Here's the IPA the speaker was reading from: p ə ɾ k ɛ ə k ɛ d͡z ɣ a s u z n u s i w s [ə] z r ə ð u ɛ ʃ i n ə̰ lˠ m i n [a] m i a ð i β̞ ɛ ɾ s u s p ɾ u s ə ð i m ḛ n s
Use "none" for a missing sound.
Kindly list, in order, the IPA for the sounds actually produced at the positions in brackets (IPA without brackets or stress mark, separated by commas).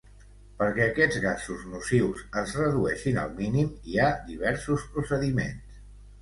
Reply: ə, i